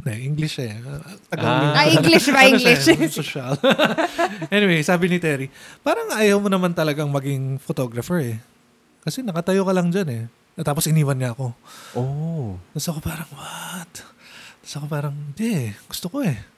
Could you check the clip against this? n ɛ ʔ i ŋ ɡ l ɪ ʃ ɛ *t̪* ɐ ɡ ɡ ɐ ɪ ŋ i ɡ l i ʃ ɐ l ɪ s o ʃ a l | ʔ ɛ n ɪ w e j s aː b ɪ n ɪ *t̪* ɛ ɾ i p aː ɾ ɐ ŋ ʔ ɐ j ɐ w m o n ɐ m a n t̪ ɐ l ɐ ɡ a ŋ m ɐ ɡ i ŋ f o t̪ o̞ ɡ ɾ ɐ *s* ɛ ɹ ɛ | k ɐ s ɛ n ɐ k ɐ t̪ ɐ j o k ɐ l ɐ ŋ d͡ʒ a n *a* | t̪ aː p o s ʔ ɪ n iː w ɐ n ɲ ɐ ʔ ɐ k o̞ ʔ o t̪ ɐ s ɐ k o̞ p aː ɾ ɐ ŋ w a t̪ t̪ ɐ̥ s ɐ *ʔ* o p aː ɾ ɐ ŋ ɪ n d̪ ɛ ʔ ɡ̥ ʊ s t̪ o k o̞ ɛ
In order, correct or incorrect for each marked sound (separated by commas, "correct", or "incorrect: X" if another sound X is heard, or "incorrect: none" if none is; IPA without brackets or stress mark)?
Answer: correct, correct, incorrect: f, incorrect: ɛ, incorrect: k